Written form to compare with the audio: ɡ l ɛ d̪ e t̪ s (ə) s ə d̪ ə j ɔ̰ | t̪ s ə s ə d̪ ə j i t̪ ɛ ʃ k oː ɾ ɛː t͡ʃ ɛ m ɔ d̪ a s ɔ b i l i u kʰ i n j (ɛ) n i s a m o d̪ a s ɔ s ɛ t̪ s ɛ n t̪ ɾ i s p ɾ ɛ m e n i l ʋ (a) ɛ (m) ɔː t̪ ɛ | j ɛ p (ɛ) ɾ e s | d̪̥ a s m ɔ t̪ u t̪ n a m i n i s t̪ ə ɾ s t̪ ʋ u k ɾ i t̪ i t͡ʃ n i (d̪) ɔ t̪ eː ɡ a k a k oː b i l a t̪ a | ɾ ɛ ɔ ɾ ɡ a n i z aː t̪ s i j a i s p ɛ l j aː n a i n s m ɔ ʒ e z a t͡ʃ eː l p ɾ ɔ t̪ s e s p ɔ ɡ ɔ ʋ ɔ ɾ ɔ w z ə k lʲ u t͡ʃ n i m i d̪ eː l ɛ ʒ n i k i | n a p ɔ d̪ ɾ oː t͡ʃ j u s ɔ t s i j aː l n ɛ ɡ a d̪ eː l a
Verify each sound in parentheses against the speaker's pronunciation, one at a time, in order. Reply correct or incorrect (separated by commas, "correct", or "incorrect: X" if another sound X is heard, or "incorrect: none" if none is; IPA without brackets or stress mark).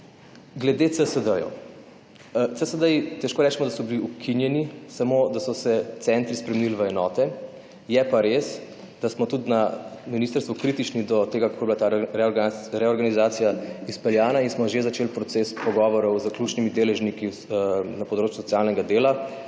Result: correct, correct, incorrect: ə, incorrect: n, incorrect: a, correct